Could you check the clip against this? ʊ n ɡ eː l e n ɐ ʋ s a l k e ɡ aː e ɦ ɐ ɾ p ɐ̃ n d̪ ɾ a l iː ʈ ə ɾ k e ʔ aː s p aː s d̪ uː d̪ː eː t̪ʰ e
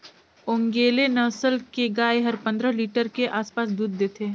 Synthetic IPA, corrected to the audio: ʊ ŋ ɡ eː l e n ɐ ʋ s ə l k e ɡ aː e ɦ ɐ ɾ p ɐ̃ n d̪ ɾ ə l iː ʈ ə ɾ k e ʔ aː s p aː s d̪ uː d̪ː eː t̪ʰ e